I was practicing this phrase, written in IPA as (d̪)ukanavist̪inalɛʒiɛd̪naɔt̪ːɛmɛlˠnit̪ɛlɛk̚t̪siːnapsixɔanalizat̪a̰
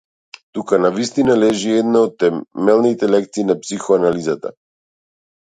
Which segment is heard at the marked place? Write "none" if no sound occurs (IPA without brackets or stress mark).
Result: t̪